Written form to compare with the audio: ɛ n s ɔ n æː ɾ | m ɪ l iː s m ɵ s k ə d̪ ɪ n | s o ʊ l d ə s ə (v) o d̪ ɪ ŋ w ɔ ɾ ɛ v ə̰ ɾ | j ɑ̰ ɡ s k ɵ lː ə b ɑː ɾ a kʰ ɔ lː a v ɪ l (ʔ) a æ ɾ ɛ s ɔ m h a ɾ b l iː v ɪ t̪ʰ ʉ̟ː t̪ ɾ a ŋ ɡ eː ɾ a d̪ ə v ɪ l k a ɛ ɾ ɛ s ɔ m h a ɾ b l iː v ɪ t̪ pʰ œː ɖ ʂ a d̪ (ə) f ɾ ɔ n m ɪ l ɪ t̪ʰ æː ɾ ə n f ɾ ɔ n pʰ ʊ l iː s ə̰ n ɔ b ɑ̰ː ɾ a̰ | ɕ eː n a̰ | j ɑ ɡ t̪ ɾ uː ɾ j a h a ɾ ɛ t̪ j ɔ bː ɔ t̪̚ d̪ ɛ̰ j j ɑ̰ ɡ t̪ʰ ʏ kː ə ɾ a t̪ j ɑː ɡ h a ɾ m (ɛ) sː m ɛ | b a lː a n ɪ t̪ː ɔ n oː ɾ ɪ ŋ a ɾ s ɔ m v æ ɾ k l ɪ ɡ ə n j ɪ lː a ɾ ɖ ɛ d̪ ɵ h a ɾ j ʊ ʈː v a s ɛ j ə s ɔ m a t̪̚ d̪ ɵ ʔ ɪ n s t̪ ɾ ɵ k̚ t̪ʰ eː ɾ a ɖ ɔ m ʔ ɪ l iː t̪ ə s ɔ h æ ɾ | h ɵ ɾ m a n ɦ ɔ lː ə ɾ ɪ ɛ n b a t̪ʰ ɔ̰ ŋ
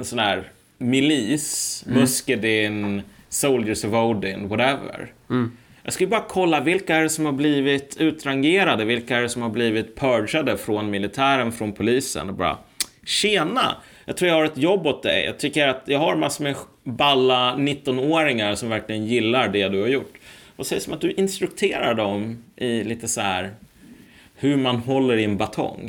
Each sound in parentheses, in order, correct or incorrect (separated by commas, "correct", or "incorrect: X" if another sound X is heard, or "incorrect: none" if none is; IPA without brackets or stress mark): correct, incorrect: k, correct, incorrect: a